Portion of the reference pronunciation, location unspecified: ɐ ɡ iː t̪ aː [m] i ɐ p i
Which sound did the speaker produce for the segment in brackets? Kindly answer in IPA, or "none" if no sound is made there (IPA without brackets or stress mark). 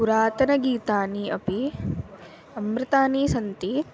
n